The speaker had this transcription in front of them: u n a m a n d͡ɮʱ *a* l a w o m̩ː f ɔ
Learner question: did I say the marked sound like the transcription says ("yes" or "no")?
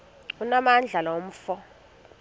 yes